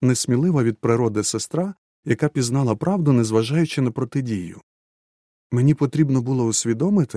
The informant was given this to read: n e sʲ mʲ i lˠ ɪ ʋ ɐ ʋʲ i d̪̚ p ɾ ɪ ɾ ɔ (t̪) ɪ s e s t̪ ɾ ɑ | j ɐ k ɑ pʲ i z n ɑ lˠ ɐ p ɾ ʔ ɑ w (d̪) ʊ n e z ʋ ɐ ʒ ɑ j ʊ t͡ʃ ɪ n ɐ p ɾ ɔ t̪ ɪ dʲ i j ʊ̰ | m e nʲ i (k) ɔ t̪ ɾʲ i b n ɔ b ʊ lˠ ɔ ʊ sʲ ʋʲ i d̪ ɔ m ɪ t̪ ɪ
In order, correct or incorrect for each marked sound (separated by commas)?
incorrect, correct, incorrect